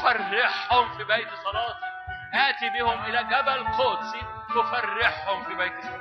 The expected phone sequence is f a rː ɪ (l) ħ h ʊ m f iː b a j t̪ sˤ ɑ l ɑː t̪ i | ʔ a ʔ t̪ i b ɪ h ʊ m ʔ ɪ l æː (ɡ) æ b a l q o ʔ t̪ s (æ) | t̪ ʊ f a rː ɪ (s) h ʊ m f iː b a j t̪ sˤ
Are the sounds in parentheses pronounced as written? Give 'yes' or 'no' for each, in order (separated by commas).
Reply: no, yes, no, no